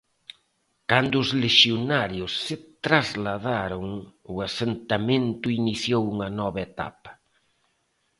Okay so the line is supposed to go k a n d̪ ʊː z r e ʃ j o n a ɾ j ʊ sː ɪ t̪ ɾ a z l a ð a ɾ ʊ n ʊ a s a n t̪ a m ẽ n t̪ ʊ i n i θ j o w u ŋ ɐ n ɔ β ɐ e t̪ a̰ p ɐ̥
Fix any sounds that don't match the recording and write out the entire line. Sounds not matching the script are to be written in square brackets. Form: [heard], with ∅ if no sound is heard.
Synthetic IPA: k a n d̪ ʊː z [l] e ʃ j o n a ɾ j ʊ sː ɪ t̪ ɾ a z l a ð a ɾ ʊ [ŋ] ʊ a s [e] n t̪ a m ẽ n t̪ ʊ i n i θ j o w u ŋ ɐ n ɔ β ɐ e t̪ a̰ p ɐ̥